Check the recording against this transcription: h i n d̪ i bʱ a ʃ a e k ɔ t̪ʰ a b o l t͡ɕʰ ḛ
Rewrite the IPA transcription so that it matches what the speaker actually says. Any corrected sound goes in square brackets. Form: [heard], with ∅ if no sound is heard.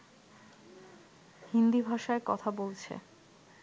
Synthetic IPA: h i n d̪ i bʱ a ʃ a e k ɔ t̪ʰ a b o l t͡ɕʰ ḛ